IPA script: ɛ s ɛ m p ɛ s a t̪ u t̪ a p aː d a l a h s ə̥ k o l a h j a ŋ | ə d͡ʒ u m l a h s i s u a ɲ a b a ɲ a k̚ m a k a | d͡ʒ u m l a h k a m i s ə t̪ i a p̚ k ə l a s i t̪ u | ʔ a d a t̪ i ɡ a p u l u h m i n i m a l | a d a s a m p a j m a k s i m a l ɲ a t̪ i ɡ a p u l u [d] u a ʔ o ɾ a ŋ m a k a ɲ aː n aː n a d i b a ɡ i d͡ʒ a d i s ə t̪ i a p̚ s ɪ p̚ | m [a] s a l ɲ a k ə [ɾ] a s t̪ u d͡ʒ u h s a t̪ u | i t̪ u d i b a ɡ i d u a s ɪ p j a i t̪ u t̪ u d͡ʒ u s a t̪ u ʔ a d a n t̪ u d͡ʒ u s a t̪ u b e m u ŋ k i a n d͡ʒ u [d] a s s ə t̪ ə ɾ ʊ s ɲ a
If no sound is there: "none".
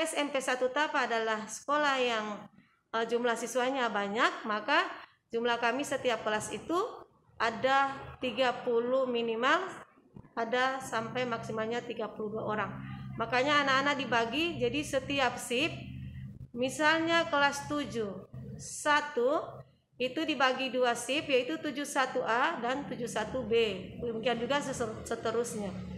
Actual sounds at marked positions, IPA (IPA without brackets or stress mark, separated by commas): d, i, l, ɡ